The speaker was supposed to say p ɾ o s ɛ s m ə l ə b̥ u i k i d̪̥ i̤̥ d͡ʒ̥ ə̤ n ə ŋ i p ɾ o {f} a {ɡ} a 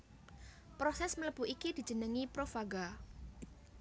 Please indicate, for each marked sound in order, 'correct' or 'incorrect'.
correct, correct

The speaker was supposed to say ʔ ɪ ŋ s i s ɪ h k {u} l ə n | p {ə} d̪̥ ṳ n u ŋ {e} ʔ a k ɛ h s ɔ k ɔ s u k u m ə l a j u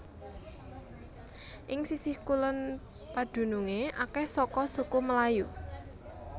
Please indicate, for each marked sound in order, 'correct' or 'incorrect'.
correct, incorrect: a, correct

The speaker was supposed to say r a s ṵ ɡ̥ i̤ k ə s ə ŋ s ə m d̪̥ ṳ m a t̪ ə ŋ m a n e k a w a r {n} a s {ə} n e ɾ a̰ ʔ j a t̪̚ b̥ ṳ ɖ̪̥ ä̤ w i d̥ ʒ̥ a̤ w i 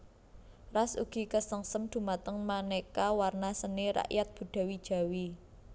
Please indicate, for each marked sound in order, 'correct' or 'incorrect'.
correct, correct

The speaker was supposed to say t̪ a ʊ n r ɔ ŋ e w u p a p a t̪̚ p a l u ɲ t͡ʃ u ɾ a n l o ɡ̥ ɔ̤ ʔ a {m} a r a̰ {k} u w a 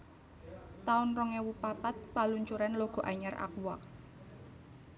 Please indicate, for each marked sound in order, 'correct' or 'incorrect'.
incorrect: ɲ, correct

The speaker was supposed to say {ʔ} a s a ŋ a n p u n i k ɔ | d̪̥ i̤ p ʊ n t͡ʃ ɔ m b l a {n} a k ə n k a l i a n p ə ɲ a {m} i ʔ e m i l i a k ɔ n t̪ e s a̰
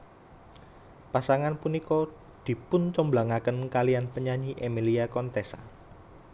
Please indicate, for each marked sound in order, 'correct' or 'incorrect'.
incorrect: p, incorrect: ŋ, incorrect: ɲ

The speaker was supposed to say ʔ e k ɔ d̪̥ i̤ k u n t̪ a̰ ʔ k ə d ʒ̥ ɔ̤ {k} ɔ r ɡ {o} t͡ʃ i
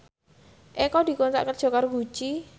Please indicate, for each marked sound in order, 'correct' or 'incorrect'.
correct, incorrect: u

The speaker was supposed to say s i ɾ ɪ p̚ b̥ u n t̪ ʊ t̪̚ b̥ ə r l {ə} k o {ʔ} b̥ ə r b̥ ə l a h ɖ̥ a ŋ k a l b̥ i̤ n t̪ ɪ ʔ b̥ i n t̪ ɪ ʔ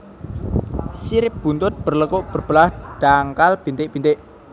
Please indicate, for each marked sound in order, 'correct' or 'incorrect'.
correct, correct

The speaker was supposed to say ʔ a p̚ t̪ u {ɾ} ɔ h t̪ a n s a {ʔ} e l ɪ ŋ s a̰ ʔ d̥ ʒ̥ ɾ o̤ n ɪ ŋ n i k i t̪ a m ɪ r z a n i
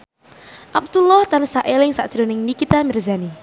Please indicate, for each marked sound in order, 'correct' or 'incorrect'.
incorrect: l, correct

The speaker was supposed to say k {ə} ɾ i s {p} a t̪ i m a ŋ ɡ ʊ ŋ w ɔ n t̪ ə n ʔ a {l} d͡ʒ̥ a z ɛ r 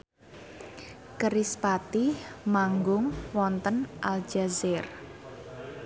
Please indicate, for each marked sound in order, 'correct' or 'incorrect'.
correct, correct, correct

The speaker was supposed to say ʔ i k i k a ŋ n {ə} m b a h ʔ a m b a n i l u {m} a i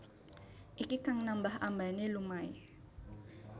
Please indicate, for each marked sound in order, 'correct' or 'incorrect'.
incorrect: a, correct

